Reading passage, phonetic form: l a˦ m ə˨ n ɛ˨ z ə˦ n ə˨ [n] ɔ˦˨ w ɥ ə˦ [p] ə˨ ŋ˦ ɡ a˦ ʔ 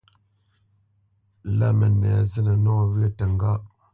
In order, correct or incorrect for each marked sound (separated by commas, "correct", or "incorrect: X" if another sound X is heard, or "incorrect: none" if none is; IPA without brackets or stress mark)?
correct, incorrect: t